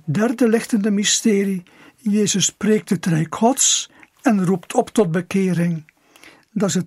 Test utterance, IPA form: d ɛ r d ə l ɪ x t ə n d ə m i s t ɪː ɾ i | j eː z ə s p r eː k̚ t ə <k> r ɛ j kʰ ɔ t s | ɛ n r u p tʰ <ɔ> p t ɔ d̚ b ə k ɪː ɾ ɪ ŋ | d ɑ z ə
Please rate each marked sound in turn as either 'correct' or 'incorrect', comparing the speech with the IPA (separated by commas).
incorrect, correct